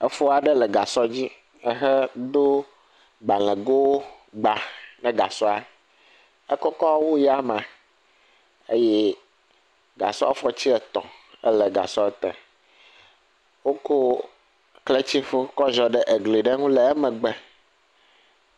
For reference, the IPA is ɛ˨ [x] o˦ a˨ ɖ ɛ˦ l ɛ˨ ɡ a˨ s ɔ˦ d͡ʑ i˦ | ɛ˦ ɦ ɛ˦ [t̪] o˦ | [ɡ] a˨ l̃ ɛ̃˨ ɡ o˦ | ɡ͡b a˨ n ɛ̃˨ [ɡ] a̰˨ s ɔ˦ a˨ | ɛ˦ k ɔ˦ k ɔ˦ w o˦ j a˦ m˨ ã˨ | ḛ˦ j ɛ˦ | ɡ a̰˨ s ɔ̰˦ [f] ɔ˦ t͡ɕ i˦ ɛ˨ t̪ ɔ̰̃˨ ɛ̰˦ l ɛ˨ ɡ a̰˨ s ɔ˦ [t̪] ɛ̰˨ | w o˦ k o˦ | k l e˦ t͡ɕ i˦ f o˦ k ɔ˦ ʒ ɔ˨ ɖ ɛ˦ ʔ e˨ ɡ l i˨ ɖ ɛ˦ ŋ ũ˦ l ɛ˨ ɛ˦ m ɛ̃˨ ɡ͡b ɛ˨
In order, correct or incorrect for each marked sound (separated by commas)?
incorrect, incorrect, incorrect, correct, correct, correct